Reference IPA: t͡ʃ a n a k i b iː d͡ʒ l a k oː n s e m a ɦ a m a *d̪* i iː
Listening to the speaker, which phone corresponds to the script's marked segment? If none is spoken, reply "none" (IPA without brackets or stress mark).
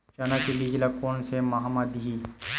d̪